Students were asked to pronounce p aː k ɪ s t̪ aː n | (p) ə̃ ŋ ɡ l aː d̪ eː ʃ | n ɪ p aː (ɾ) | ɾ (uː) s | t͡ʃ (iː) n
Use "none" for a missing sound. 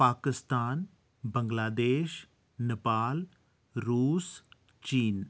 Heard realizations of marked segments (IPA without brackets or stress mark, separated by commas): b, l, uː, iː